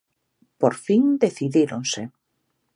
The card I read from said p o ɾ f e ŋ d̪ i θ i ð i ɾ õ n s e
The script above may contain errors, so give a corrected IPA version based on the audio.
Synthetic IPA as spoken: p o ɾ f i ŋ d̪ e θ i ð i ɾ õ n s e

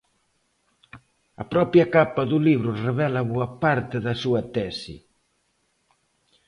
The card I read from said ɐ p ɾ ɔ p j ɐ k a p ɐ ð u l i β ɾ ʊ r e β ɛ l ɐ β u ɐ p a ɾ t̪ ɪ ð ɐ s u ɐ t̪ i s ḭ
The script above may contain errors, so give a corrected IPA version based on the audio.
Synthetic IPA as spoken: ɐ p ɾ ɔ p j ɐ k a p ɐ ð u l i β ɾ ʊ r e β ɛ l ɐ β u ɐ p a ɾ t̪ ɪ ð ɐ s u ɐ t̪ ɛ s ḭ

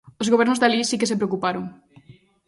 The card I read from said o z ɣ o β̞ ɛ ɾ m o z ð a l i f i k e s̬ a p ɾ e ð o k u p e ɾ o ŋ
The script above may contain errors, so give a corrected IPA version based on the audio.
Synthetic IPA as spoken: o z ɣ o β̞ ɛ ɾ n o z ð a l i s i k e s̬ e p ɾ e o k u p a ɾ o ŋ

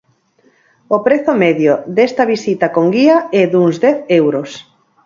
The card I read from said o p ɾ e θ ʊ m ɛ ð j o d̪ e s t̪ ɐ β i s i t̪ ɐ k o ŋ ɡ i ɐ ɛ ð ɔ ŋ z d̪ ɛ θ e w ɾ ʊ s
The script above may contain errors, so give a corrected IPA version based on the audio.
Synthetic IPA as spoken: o p ɾ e θ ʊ m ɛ ð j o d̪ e s t̪ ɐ β i s i t̪ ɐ k o ŋ ɡ i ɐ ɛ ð u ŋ z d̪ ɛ θ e w ɾ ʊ s

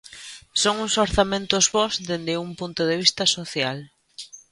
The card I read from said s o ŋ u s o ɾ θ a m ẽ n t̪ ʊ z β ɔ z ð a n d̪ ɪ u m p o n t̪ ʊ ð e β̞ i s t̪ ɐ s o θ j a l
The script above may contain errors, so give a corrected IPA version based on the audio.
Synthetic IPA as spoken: s o ŋ u s o ɾ θ a m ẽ n t̪ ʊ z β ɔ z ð e n d̪ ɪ u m p u n t̪ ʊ ð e β̞ i s t̪ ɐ s o θ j a l

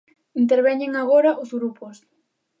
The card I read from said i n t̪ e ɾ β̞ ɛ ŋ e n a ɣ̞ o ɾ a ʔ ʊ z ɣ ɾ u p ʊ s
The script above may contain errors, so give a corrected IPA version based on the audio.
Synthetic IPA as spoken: i n t̪ e ɾ β̞ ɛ ɲ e ŋ a ɣ̞ o ɾ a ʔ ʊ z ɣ ɾ u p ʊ s

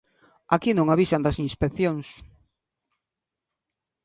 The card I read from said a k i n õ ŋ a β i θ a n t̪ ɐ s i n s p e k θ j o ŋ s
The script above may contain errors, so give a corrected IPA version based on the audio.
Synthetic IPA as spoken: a k i n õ ŋ a β i s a n d̪ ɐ s i n s p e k θ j o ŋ s

